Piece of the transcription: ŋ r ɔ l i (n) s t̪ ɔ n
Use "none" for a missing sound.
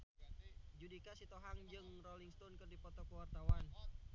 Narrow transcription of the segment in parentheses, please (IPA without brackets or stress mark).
ŋ